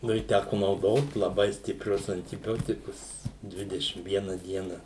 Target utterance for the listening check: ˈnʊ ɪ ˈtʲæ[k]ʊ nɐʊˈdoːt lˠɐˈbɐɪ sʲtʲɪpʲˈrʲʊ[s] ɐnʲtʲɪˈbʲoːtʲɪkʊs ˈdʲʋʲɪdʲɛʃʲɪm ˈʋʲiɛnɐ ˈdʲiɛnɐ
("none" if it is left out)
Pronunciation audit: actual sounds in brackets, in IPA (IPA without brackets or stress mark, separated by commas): k, s